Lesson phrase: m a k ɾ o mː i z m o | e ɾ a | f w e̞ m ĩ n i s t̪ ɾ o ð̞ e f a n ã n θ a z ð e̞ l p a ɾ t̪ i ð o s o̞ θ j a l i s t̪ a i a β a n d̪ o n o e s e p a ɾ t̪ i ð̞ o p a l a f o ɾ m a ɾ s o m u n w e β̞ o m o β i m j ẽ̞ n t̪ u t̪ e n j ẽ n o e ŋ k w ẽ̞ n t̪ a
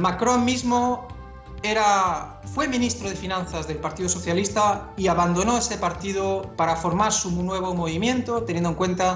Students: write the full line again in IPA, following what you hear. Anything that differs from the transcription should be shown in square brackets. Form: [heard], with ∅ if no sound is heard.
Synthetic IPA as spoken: m a k ɾ o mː i z m o | e ɾ a | f w e̞ m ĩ n i s t̪ ɾ o ð̞ e f [i] n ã n θ a z ð e̞ l p a ɾ t̪ i ð o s o̞ θ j a l i s t̪ a i a β a n d̪ o n o e s e p a ɾ t̪ i ð̞ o p a [ɾ] a f o ɾ m a ɾ s [u] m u n w e β̞ o m o β i m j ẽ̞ n t̪ [o] t̪ e n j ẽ n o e ŋ k w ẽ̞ n t̪ a